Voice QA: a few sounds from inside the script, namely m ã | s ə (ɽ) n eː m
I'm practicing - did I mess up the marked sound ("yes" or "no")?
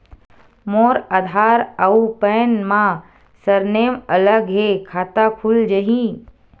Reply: yes